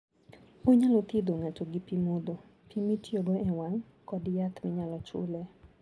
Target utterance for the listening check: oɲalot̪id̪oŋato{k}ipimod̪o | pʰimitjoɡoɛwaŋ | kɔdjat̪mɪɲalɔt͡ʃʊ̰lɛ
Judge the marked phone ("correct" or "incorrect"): incorrect